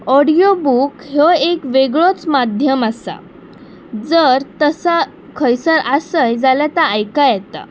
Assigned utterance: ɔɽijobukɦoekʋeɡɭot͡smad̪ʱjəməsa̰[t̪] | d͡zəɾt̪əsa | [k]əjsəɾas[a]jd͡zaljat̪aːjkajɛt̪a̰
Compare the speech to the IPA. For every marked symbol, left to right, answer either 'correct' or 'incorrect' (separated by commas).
incorrect, incorrect, incorrect